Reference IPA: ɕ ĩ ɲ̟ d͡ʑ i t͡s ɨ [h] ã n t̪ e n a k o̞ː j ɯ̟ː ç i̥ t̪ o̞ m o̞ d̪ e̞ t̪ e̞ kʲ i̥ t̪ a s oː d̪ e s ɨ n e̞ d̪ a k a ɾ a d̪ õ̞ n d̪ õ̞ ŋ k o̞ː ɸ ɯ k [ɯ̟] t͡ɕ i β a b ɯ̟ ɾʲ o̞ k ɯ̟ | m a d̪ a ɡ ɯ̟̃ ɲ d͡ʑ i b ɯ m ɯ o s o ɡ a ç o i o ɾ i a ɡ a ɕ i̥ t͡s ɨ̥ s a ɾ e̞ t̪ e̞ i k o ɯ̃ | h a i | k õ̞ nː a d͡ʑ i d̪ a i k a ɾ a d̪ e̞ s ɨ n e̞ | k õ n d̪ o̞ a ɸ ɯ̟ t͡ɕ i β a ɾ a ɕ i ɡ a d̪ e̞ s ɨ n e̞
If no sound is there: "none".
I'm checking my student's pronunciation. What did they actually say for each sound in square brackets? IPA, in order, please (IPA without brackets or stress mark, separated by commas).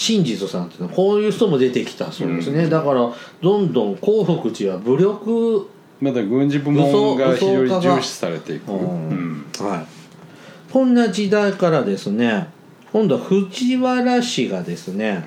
s, ɯ̟